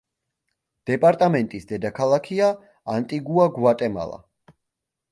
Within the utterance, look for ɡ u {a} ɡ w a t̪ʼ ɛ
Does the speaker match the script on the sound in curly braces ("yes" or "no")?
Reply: yes